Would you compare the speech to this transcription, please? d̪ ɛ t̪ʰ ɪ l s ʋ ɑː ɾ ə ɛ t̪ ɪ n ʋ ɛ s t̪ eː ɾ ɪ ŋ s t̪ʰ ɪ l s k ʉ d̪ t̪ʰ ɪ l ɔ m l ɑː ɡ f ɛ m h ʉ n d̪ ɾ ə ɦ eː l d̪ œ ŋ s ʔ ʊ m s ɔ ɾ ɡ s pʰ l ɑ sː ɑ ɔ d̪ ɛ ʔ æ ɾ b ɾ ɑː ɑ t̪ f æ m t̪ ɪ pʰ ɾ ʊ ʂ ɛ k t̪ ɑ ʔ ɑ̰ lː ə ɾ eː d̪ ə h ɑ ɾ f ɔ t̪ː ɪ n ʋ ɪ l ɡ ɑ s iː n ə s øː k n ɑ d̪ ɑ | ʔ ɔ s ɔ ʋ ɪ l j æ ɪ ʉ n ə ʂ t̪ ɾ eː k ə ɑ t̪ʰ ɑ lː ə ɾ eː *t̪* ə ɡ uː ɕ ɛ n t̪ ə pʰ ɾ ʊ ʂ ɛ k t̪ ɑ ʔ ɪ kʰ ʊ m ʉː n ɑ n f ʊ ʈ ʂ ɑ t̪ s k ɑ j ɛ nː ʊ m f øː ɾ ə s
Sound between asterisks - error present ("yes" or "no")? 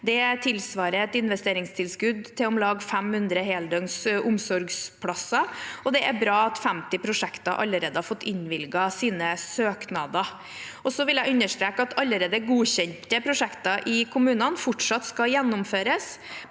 yes